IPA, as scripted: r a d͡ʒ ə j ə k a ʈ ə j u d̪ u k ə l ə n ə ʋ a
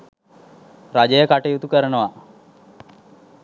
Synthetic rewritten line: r a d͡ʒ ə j ə k a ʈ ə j u t̪ u k ə ɾ ə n ə ʋ a

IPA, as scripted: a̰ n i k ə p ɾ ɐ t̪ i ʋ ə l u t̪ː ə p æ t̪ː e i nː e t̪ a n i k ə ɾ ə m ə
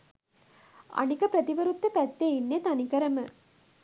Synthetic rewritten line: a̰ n i k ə p ɾ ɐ t̪ i ʋ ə ɾ u t̪ː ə p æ t̪ː e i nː e t̪ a n i k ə ɾ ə m ə

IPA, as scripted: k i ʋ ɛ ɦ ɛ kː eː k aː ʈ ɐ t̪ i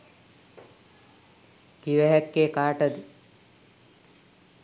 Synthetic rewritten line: k i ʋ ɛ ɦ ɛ kː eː k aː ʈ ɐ d̪ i

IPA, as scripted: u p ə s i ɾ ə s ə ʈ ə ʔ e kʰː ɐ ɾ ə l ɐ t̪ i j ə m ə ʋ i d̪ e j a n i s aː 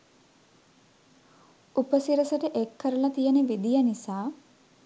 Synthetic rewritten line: u p ə s i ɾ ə s ə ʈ ə ʔ e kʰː ə ɾ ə l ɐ t̪ i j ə n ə ʋ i d̪ i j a n i s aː

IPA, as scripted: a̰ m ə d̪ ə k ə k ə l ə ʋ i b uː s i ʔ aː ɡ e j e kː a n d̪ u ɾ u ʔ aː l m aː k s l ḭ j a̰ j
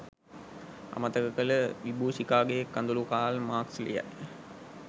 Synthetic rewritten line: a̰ m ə t̪ ə k ə k ə l ə ʋ i b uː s i k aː ɡ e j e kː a n d̪ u l u k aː l m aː k s l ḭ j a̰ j

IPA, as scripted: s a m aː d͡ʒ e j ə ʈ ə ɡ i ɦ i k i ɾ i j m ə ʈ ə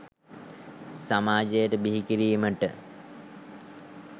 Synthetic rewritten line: s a m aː d͡ʒ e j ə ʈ ə b i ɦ i k i ɾ i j m ə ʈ ə

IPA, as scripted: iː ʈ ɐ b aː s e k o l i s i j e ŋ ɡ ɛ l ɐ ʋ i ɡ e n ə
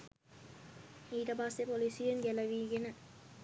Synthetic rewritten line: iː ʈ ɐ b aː s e p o l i s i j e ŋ ɡ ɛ l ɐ ʋ i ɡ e n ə

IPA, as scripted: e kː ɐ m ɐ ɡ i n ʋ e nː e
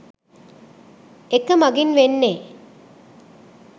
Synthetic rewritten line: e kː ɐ m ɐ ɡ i n ʋ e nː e

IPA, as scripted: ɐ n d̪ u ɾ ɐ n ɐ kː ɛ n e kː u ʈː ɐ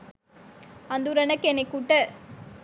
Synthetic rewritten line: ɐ n d̪ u ɾ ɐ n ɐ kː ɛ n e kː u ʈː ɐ

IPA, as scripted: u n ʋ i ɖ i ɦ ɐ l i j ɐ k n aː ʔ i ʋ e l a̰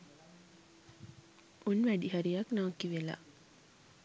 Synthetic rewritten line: u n ʋ æ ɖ i ɦ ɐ ɾ i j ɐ k n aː k i ʋ e l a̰

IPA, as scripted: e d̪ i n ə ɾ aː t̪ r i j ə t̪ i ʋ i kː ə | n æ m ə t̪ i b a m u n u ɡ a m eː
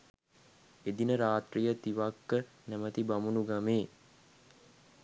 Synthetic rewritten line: e d̪ i n ə ɾ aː t̪ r i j ə t̪ i ʋ a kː ə | n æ m ə t̪ i b a m u n u ɡ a m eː

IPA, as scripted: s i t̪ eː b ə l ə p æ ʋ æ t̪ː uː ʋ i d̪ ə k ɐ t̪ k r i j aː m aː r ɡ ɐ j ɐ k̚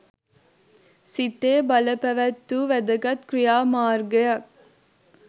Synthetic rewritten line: s i t̪ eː b ɐ l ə p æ ʋ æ t̪ː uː ʋ æ d̪ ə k ɐ t̪ k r i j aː m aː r ɡ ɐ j ɐ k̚

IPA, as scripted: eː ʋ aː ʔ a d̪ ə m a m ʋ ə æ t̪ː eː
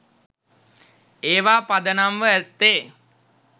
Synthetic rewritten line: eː ʋ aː p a d̪ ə n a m ʋ ə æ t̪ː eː

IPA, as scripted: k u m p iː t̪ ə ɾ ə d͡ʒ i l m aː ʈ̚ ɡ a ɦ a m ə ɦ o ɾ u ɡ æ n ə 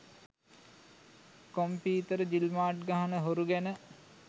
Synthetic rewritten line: k o m p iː t̪ ə ɾ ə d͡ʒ i l m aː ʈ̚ ɡ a ɦ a n ə ɦ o ɾ u ɡ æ n ə

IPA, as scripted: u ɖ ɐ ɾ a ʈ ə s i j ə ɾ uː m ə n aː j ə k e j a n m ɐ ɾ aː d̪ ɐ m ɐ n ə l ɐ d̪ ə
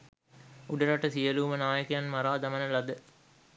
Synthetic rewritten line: u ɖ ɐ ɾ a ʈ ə s i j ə l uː m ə n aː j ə k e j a n m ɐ ɾ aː d̪ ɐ m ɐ n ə l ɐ d̪ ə

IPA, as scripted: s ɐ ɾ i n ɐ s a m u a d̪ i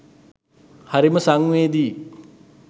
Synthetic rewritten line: h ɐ ɾ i m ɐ s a ŋ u e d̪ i

